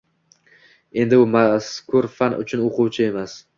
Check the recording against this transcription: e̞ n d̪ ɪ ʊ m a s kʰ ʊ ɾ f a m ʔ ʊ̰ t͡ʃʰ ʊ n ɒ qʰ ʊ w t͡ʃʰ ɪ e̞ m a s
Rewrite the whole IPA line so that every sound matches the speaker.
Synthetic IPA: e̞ n d̪ ɪ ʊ m a s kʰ ʊ ɾ f a n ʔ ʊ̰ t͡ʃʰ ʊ n o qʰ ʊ w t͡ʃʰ ɪ e̞ m a s